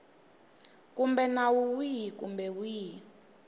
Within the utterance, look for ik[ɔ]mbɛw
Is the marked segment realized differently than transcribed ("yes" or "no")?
yes